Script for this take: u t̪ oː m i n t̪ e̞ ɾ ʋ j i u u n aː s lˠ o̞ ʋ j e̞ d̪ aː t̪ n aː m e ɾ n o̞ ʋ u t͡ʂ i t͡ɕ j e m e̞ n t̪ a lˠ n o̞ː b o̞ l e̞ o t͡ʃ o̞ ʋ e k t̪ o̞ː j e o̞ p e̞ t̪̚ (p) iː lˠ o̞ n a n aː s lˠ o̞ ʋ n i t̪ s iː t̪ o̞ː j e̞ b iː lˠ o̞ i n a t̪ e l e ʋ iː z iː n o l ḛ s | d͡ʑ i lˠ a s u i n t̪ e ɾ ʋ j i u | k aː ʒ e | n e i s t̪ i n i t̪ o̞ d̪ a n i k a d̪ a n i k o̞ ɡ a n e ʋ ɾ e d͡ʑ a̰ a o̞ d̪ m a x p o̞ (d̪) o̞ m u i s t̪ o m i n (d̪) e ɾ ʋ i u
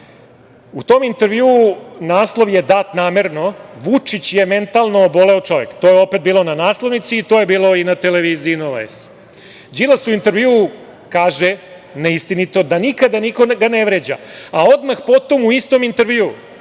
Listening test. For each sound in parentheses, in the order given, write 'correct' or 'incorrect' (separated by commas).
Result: incorrect, incorrect, incorrect